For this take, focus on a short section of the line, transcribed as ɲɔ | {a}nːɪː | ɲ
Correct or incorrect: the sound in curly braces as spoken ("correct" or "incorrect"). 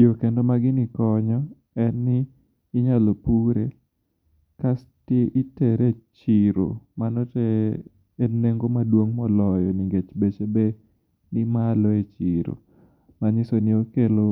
incorrect